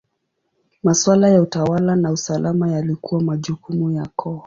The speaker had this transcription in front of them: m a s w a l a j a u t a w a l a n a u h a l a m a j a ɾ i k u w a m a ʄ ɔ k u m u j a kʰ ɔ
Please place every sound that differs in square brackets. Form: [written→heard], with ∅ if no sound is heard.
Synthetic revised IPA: m a s w a l a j a u t a w a l a n a u [h→s] a l a m a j a [ɾ→l] i k u w a m a ʄ [ɔ→u] k u m u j a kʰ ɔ